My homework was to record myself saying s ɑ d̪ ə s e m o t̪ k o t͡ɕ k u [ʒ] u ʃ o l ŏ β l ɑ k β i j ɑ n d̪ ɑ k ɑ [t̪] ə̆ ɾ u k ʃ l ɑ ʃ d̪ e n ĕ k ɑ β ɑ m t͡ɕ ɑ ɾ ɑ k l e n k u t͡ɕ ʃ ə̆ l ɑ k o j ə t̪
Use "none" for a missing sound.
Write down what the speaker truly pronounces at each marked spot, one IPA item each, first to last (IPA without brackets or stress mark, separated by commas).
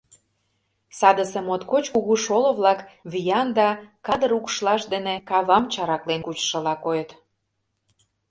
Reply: ɣ, d̪